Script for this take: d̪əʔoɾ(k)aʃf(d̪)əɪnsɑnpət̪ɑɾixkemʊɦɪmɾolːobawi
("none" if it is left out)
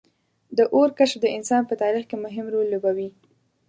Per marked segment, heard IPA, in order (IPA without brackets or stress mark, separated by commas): k, d̪